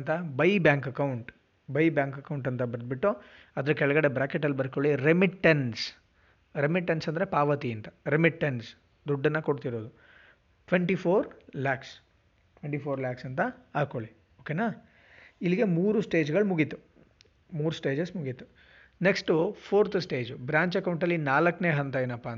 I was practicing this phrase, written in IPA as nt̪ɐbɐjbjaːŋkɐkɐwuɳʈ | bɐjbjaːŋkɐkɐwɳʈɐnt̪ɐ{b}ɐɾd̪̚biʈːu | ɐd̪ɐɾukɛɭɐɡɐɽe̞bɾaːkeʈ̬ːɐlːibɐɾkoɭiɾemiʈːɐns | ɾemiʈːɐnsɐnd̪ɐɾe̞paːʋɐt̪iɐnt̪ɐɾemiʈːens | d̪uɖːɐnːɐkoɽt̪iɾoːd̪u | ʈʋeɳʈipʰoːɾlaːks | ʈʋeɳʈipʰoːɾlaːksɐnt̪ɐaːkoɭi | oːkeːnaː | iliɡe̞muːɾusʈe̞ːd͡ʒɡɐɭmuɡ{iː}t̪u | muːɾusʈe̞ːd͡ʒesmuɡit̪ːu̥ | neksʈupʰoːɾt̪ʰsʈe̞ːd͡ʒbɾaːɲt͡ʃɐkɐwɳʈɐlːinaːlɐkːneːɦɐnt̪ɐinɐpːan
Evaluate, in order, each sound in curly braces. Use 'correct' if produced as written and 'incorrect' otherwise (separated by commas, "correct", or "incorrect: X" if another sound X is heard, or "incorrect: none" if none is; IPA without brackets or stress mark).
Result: correct, incorrect: i